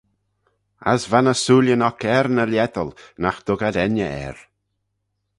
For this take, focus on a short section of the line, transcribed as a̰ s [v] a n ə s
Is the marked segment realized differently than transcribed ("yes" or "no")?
no